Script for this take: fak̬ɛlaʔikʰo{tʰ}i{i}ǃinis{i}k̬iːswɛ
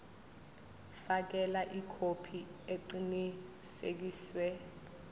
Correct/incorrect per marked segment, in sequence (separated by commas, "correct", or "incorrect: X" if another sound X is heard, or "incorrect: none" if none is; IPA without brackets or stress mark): incorrect: pʰ, incorrect: e, incorrect: e